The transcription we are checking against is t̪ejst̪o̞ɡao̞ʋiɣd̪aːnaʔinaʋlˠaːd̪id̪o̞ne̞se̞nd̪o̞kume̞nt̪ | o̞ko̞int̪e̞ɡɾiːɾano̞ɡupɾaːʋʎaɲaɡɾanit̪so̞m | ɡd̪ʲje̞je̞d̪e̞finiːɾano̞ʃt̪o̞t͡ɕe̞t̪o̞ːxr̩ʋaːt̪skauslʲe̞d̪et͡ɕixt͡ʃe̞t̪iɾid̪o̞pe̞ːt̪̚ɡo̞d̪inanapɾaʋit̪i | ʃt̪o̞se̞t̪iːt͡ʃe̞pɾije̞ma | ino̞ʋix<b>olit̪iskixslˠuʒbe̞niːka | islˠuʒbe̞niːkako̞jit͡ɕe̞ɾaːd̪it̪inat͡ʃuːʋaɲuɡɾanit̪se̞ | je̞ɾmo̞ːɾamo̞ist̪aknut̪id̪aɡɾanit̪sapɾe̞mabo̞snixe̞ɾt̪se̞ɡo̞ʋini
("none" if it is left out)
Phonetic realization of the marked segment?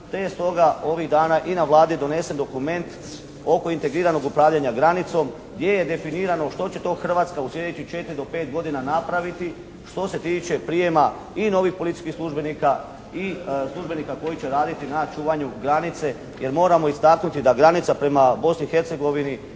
p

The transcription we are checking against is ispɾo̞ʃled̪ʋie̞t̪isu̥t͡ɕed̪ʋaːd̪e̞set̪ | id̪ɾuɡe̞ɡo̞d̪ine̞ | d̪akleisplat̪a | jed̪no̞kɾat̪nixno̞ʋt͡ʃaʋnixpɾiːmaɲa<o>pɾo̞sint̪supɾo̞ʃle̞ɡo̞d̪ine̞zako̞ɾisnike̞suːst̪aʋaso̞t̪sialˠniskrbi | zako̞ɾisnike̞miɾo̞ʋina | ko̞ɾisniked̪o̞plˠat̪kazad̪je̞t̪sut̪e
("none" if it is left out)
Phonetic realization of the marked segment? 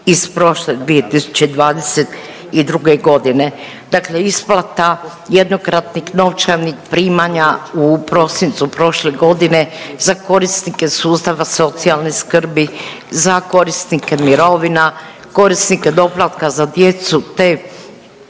u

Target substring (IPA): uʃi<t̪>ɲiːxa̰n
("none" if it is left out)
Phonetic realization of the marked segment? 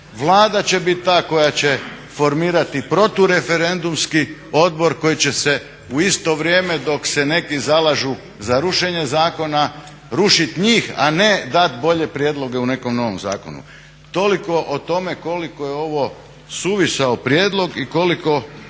t̪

